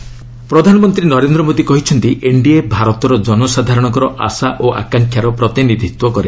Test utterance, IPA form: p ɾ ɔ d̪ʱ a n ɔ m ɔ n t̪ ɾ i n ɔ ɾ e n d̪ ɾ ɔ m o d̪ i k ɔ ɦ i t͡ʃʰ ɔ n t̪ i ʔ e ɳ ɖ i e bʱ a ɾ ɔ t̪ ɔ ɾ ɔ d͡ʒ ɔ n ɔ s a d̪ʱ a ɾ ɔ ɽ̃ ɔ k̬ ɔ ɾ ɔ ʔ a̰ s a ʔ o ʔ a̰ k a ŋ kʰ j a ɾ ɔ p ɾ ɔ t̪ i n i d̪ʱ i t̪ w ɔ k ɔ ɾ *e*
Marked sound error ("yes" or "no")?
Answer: no